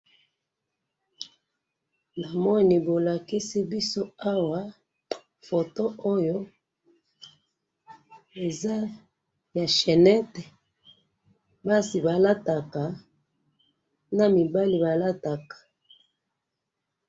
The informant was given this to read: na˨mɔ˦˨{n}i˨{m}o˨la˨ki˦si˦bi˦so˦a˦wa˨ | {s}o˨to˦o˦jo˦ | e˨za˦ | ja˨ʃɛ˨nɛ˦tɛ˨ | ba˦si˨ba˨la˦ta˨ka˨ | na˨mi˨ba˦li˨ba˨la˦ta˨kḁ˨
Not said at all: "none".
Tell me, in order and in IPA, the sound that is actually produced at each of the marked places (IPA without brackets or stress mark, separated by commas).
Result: n, b, f